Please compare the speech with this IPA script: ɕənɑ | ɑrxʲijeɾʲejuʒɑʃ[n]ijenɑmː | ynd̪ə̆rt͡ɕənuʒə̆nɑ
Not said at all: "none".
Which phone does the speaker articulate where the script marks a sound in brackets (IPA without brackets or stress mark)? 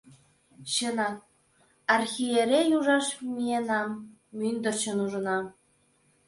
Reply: m